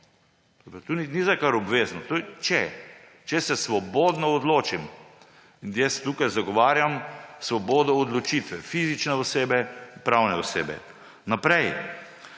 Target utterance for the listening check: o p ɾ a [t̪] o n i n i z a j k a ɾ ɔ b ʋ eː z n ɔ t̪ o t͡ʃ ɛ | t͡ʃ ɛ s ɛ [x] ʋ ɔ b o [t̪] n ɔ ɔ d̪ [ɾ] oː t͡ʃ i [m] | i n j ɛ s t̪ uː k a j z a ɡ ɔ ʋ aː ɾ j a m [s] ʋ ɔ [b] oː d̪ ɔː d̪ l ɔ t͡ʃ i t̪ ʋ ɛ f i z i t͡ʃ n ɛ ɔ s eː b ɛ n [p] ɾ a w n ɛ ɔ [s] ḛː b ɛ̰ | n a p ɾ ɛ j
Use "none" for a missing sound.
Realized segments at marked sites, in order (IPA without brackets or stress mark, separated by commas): t̪, s, d̪, l, m, s, b, p, s